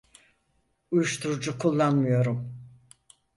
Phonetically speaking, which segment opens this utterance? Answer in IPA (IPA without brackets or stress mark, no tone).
u